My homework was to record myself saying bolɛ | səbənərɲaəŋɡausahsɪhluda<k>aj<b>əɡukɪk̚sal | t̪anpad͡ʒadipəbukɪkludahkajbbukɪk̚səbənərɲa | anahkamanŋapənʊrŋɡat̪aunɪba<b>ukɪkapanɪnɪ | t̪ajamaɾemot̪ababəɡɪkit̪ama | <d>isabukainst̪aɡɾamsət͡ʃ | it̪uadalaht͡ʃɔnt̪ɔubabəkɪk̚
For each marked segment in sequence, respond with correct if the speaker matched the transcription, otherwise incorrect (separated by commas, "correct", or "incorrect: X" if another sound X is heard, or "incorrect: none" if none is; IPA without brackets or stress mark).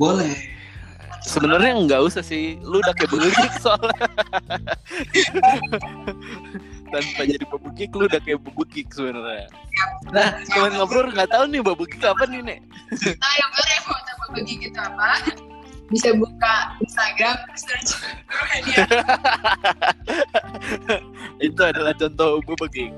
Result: correct, correct, correct, incorrect: b